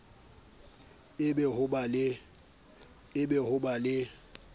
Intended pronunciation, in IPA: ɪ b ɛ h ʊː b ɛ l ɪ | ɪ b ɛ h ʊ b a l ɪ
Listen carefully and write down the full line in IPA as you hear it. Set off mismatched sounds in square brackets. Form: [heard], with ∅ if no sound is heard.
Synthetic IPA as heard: ɪ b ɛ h [ʊ] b [a] l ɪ | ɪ b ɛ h ʊ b a l ɪ